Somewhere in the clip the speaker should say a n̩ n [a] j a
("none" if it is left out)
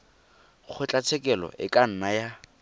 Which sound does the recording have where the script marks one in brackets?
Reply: a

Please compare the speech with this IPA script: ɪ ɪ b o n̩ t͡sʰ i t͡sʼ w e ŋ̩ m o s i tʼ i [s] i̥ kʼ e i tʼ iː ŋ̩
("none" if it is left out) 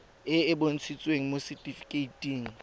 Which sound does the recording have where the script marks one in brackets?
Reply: f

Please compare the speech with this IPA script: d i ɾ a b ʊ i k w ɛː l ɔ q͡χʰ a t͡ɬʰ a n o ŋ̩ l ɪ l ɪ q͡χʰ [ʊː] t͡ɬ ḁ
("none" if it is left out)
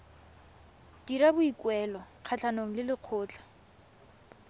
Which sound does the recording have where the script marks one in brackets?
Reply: ʊː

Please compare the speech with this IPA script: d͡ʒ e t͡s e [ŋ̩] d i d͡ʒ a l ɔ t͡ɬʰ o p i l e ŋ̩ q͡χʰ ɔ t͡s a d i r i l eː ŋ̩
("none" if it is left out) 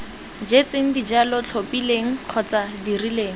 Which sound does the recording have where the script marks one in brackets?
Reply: ŋ̩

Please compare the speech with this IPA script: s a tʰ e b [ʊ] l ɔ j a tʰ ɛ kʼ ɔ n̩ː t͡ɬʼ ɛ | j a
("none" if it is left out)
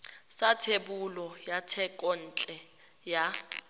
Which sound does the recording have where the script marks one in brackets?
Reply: u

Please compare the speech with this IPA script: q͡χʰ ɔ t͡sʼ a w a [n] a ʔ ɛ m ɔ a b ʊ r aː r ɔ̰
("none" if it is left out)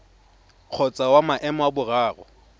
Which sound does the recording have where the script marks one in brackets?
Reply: m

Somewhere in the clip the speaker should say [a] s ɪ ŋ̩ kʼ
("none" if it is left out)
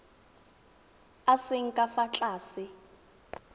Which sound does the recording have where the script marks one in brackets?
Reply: a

